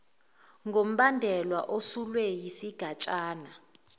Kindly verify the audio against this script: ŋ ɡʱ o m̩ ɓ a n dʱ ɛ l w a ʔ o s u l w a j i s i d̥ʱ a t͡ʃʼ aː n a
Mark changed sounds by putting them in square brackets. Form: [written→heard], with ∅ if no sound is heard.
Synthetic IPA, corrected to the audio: ŋ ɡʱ o m̩ ɓ a n dʱ ɛ l w a ʔ o s u l w [a→ɛ] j i s i [d̥ʱ→ɡ̥ʱ] a t͡ʃʼ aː n a